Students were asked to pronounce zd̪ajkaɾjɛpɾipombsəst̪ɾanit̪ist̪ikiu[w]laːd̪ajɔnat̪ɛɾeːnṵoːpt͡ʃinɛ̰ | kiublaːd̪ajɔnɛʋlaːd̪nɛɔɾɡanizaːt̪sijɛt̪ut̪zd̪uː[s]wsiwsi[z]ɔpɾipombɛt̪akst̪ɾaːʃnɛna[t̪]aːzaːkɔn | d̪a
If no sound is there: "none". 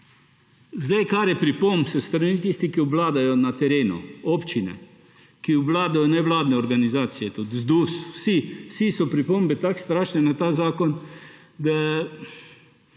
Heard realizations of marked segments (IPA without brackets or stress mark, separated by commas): b, s, s, t̪